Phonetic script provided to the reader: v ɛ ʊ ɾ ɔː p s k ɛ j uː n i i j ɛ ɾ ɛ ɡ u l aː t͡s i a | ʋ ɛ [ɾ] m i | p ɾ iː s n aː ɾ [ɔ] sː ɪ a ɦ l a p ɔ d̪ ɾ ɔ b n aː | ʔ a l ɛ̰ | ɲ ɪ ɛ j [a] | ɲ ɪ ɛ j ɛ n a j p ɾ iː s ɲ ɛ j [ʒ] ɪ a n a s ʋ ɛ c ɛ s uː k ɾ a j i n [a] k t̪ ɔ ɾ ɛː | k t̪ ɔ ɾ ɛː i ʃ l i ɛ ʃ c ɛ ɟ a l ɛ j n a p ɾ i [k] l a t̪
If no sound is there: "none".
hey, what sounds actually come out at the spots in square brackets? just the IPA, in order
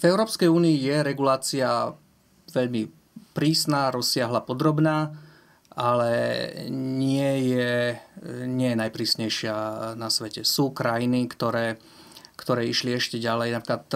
ʎ, ɔ, ɛ, ʃ, i, k

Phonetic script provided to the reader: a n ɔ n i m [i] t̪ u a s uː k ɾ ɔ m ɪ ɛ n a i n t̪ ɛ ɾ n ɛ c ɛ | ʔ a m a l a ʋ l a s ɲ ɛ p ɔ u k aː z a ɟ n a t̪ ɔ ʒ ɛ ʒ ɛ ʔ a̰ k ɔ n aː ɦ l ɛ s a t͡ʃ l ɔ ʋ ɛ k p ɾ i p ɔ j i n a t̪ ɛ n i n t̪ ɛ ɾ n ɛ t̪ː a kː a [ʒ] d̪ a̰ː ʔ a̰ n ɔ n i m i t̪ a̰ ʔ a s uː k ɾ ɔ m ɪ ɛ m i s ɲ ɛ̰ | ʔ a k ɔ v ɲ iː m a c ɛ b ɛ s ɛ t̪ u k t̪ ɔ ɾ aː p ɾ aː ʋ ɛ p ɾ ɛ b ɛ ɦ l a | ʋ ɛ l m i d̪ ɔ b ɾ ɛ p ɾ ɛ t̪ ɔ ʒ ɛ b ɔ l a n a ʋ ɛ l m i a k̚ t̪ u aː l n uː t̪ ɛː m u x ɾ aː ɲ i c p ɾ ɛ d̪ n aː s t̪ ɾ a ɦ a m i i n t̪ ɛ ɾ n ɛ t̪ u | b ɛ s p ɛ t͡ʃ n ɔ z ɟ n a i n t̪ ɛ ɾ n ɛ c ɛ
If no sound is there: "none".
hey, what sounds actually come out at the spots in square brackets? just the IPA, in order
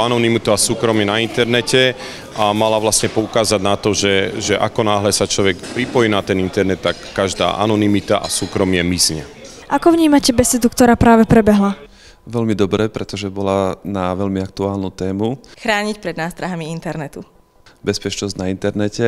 i, ʒ

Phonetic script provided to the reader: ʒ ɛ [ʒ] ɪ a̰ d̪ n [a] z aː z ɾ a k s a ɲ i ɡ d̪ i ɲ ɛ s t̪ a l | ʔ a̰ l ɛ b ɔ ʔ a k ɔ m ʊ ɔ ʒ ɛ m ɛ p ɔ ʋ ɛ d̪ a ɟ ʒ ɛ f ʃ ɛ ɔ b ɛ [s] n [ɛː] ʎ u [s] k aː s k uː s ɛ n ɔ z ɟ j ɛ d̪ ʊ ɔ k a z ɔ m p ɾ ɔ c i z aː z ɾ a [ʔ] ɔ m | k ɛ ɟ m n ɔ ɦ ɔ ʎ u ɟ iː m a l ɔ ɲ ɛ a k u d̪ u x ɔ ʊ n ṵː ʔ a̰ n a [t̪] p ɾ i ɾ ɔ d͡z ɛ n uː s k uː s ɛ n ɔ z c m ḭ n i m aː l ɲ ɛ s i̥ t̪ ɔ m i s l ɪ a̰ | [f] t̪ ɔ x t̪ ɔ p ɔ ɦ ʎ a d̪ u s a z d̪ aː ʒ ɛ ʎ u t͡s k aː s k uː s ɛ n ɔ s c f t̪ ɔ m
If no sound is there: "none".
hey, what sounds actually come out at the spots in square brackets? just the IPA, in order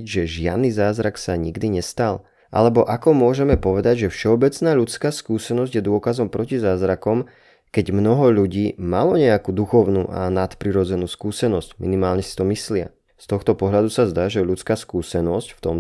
ʒ, i, t͡s, aː, t͡s, k, t̪, s

